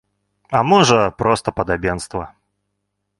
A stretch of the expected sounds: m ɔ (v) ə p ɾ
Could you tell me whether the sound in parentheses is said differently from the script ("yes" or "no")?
yes